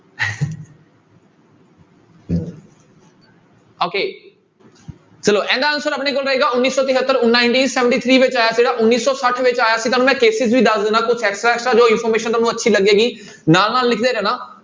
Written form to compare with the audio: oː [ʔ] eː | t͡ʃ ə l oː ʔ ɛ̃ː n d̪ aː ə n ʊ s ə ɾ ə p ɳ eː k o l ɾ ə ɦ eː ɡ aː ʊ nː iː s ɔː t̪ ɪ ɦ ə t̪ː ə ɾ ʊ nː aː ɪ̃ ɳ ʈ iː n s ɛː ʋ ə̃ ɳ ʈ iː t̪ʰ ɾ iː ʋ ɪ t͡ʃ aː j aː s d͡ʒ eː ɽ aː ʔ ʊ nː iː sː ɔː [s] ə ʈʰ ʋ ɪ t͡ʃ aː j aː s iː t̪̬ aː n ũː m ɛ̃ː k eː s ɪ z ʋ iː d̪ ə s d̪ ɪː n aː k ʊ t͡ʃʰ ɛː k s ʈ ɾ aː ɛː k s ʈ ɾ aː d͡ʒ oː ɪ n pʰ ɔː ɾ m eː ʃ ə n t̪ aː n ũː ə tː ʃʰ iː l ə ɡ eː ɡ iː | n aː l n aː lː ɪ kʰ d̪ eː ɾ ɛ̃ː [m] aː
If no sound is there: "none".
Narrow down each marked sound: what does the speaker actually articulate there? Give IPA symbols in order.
k, s, n

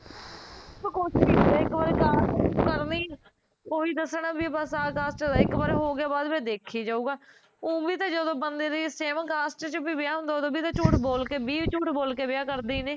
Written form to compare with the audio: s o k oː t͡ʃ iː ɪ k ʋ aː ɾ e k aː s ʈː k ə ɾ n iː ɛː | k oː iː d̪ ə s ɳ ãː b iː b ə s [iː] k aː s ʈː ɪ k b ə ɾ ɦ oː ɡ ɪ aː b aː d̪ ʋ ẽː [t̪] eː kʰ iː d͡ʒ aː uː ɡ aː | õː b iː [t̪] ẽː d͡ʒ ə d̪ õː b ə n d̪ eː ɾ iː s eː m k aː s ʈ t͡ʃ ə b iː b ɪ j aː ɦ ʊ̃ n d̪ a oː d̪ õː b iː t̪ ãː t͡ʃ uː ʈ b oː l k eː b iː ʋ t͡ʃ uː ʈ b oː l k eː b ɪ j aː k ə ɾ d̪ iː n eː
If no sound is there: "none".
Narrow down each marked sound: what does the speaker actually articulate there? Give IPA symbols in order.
aː, d̪, t̪

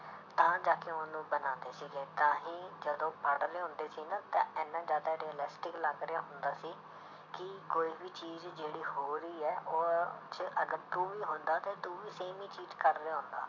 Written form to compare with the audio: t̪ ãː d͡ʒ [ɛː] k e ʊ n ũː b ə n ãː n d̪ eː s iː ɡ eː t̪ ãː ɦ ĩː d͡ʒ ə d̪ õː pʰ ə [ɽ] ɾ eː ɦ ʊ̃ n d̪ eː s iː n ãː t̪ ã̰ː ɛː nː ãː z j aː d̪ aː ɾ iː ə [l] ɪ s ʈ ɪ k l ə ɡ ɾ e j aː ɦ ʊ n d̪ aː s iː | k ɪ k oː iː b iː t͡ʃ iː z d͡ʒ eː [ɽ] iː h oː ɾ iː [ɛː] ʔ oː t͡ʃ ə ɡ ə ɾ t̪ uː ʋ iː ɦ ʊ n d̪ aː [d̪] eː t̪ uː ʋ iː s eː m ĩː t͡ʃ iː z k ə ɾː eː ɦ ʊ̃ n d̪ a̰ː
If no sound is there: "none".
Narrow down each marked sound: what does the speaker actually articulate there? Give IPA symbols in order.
aː, ɽ, l, ɽ, ɛː, t̪

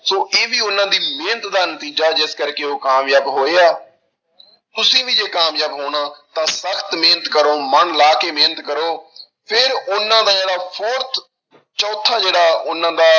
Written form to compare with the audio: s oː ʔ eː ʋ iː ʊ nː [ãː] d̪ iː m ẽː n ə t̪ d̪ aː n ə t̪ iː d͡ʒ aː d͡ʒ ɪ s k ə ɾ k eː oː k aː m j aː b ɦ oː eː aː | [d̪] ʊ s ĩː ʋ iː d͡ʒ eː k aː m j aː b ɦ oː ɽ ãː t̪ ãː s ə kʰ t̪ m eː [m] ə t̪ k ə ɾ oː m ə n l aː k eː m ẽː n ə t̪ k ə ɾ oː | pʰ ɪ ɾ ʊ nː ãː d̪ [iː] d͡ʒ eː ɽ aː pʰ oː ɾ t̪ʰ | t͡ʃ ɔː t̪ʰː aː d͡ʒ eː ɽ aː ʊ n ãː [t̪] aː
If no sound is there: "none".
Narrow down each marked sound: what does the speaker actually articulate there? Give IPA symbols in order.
ãː, t̪, n, aː, d̪

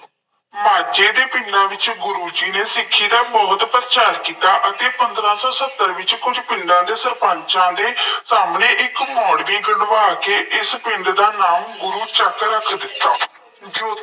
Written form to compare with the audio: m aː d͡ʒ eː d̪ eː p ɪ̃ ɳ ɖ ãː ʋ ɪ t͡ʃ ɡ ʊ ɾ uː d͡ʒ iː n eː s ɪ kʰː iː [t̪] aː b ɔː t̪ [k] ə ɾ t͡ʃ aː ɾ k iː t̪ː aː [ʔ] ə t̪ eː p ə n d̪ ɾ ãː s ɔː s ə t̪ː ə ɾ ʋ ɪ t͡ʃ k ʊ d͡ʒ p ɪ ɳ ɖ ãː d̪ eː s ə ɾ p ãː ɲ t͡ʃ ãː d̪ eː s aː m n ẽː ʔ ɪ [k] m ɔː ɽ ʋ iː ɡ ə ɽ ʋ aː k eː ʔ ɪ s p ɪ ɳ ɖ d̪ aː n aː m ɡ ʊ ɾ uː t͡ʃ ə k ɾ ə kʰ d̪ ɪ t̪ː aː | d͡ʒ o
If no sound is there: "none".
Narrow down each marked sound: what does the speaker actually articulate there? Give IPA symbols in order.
d̪, p, ʔ, k

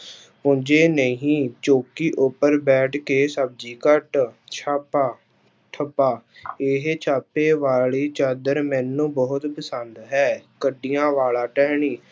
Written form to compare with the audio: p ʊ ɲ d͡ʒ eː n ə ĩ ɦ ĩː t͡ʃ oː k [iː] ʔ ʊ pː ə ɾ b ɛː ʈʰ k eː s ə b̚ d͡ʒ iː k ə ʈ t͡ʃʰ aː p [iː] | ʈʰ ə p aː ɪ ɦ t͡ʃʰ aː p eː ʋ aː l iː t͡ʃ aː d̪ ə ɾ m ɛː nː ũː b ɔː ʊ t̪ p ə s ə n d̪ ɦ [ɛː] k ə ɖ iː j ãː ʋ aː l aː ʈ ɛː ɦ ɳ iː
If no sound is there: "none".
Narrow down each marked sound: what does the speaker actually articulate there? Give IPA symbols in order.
iː, aː, ɛː

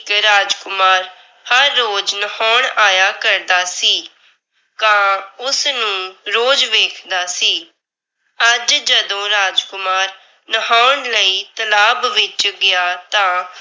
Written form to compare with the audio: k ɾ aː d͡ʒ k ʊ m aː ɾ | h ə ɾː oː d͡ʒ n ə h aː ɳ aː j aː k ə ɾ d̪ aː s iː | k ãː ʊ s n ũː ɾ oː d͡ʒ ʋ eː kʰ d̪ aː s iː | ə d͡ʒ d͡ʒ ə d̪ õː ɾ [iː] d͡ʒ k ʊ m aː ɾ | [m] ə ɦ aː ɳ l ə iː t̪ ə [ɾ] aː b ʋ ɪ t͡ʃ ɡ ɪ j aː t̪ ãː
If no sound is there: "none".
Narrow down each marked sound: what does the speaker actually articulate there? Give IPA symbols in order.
aː, n, l

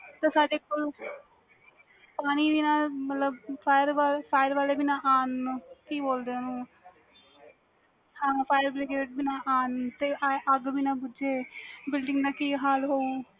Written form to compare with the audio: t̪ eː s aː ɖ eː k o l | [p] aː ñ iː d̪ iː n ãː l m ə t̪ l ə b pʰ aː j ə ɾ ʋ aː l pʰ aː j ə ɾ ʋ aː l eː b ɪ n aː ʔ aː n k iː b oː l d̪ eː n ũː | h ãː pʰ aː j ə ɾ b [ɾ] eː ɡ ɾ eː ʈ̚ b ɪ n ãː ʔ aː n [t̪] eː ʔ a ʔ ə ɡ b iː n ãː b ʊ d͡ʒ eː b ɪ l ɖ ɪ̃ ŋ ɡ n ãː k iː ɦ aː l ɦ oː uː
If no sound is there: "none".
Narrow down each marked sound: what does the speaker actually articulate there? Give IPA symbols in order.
p, l, t̪

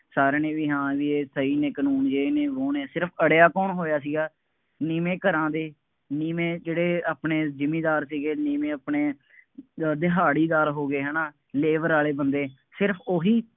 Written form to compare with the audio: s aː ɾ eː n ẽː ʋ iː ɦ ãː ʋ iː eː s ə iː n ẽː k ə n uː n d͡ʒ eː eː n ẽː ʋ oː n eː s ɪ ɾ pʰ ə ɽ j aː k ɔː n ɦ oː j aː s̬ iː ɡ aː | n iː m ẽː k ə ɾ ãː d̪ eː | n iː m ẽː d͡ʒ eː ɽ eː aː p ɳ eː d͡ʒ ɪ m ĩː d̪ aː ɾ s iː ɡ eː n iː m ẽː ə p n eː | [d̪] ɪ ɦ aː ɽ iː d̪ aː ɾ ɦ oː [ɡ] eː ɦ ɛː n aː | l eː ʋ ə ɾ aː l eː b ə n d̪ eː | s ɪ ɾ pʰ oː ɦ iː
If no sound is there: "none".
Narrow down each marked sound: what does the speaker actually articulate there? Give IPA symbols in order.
d̪, ɡ

